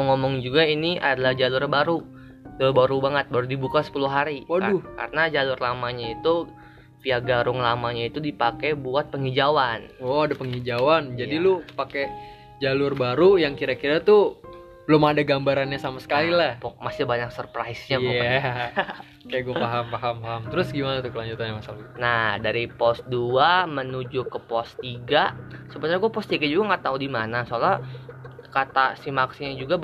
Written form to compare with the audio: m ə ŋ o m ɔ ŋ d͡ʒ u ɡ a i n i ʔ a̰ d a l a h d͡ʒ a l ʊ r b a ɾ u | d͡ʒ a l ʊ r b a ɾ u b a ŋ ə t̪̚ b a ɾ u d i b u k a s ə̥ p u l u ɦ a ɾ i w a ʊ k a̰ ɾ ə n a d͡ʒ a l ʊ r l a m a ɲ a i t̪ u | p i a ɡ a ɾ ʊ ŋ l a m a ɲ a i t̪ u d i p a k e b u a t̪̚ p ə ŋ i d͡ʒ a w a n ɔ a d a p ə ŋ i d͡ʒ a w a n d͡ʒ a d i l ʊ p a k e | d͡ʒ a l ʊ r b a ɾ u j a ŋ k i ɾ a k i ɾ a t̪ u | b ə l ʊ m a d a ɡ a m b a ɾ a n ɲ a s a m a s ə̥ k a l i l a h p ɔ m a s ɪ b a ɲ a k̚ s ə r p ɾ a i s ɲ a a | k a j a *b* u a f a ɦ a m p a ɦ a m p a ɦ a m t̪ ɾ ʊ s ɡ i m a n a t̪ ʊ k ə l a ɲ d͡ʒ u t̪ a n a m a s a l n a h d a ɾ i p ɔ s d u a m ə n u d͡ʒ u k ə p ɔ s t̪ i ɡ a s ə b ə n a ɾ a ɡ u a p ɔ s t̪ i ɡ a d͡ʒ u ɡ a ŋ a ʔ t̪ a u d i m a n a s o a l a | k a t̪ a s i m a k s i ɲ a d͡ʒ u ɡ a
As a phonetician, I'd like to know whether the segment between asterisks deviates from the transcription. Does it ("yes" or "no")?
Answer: yes